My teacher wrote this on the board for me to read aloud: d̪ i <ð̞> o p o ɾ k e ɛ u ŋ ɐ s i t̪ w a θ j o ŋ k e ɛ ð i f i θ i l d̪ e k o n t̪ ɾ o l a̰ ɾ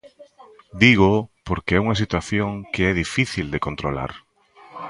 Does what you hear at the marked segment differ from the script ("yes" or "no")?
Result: yes